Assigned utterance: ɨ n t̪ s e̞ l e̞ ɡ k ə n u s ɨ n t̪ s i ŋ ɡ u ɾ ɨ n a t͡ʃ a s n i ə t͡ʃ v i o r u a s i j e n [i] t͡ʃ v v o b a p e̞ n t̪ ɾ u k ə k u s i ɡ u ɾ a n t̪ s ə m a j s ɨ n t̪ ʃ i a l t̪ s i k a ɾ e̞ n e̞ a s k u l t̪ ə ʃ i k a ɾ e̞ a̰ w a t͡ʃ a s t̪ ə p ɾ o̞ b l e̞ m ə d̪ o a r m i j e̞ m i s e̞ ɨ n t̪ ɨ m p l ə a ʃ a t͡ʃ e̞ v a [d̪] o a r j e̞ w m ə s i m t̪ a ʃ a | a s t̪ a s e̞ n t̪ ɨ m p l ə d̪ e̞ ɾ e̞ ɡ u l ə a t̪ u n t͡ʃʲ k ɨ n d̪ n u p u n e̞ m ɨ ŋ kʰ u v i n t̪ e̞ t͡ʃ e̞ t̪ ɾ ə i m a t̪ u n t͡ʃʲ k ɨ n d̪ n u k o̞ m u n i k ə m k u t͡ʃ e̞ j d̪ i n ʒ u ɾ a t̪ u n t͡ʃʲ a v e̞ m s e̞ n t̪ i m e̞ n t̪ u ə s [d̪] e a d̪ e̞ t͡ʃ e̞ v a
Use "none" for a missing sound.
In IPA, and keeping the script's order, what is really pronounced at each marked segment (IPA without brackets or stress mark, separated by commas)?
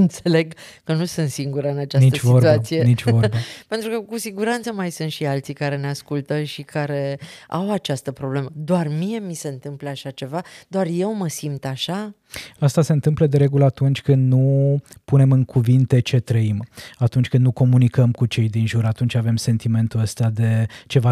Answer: i, d̪, t̪